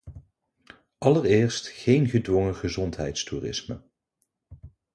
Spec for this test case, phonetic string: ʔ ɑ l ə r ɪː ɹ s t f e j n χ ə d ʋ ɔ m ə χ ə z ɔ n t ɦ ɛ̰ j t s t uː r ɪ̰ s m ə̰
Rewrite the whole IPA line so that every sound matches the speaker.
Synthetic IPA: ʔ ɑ l ə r ɪː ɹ s t χ e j n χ ə d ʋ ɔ ŋ ə χ ə z ɔ n t ɦ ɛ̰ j t s t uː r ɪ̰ s m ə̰